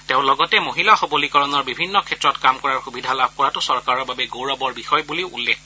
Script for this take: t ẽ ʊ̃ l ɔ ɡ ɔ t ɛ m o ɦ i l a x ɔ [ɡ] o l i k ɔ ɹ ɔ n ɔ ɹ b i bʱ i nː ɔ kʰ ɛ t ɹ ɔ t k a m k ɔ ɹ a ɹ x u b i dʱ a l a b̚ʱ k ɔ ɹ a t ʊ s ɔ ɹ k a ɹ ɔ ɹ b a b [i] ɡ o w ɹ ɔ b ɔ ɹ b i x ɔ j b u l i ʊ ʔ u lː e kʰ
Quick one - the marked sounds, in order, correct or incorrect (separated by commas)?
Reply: incorrect, incorrect